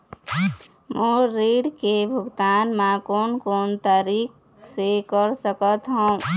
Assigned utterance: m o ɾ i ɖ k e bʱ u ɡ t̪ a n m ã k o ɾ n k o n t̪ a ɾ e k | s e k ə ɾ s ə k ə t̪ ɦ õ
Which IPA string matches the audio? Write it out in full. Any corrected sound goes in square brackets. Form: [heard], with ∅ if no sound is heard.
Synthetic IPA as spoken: m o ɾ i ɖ k e bʱ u ɡ t̪ a n m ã k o [∅] n k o n t̪ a ɾ [i] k | s e k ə ɾ s ə k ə t̪ ɦ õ

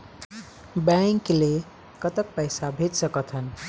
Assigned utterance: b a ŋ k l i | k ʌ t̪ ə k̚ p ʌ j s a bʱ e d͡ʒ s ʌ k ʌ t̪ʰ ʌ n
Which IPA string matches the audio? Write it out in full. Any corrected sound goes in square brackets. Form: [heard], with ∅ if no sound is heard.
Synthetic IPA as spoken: b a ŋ k l [e] | k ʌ t̪ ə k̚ p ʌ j s a bʱ e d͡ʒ s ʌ k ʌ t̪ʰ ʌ n

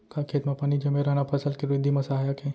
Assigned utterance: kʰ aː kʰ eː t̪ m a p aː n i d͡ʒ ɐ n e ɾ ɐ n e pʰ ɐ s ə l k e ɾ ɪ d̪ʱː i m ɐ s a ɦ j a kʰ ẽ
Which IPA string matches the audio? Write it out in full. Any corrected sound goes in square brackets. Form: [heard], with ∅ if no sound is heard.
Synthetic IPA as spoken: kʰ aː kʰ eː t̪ m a p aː n i d͡ʒ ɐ [m] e ɾ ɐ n [a] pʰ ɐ s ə l k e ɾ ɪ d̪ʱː i m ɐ s a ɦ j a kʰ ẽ

